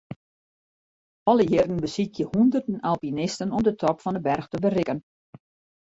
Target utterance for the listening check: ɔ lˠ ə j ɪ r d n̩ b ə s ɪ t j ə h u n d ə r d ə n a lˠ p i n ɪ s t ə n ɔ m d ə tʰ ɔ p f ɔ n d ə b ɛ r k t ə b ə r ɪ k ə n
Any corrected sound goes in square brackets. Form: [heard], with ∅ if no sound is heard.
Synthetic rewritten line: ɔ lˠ ə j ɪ r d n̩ b ə s [i] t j ə h u n d ə r d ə n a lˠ p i n ɪ s t ə n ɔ m d ə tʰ ɔ p f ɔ n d ə b ɛ r [x] t ə b ə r ɪ k ə n